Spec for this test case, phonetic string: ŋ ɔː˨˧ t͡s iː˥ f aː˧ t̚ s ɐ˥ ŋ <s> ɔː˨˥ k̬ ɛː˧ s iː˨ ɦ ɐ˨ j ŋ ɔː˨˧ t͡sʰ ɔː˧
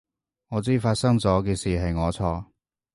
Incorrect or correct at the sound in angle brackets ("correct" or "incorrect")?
incorrect